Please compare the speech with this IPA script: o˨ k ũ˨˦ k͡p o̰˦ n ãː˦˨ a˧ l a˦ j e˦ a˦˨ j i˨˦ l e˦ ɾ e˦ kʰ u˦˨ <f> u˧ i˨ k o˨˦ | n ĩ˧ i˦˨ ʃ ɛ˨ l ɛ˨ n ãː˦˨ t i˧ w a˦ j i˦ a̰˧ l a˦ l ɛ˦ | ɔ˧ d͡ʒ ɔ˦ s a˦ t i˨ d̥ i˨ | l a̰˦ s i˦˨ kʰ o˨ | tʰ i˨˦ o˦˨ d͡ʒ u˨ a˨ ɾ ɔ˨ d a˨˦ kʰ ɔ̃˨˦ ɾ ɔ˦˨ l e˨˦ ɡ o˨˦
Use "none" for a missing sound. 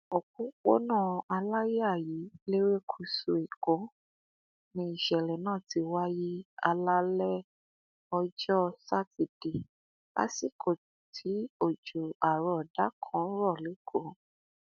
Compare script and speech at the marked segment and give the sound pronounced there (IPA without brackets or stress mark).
s